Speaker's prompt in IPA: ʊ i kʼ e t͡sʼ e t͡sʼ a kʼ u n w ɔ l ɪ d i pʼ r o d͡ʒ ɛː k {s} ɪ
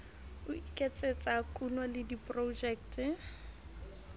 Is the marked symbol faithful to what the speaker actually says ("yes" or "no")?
no